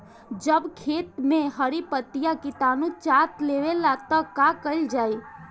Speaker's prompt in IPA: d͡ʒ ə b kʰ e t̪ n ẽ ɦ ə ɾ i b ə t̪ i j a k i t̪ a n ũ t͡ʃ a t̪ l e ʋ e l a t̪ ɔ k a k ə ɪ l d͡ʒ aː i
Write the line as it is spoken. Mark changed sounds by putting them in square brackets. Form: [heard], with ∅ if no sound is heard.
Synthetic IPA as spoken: d͡ʒ ə b kʰ e t̪ [m] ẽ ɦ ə ɾ i [p] ə t̪ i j a k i t̪ a n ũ t͡ʃ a t̪ l e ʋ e l a t̪ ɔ k a k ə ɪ l d͡ʒ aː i